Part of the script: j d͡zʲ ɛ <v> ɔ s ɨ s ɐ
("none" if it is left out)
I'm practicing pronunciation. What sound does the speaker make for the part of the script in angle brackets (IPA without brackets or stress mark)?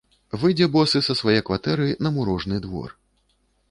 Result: b